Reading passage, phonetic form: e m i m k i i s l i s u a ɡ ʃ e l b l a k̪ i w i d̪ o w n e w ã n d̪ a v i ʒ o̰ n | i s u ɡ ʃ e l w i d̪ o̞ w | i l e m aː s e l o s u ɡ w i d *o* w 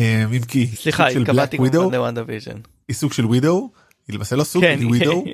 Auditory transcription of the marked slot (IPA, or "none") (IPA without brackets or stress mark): o